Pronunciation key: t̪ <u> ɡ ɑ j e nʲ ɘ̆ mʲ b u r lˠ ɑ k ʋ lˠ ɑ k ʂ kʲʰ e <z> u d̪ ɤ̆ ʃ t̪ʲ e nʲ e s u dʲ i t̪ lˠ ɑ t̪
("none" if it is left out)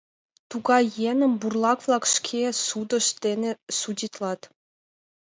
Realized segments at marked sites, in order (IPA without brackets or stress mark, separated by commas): u, s